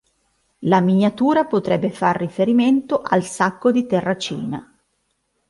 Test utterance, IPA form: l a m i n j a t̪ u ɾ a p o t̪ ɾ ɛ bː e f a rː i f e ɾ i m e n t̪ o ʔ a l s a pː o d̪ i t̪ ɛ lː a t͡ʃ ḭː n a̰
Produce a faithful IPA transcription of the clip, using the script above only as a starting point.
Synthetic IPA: l a m i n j a t̪ uː ɾ a p o t̪ ɾ ɛ bː e f a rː i f e ɾ i m e n t̪ o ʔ a l s a kː o d̪ i t̪ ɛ rː a t͡ʃ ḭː n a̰